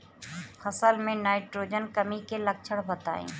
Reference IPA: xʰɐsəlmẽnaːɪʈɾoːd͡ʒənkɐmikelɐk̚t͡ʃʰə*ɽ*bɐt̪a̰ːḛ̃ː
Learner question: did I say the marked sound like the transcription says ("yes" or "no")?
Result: yes